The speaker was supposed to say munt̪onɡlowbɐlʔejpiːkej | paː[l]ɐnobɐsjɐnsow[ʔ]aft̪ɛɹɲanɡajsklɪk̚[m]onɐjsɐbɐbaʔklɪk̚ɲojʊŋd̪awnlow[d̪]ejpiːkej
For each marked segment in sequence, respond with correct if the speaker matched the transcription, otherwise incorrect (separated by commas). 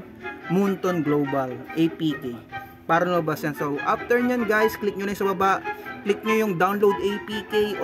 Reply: incorrect, correct, incorrect, correct